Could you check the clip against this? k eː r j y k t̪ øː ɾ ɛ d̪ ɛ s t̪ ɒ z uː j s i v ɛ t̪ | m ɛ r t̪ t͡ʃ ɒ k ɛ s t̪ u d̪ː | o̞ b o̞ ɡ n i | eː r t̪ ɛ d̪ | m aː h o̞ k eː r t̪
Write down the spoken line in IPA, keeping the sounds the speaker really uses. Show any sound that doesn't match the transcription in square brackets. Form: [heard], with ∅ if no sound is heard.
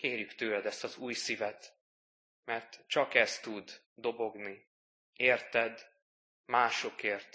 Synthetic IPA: k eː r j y k t̪ øː [l] ɛ d̪ ɛ s t̪ ɒ z uː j s i v ɛ t̪ | m ɛ r t̪ t͡ʃ ɒ k ɛ s t̪ u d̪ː | o̞ b o̞ ɡ n i | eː r t̪ ɛ d̪ | m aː [ʃ] o̞ k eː r t̪